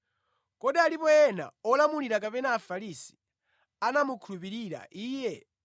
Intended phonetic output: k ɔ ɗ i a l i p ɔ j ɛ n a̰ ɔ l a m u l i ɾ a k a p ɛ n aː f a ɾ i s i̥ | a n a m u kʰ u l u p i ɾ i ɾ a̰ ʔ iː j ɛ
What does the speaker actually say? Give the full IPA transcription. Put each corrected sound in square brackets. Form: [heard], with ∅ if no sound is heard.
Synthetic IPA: k ɔ ɗ i a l i p ɔ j ɛ n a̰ ɔ l a m u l i ɾ a k a p ɛ n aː f a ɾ i s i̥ | a n a m u kʰ u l u p i ɾ i ɾ a̰ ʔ iː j ɛ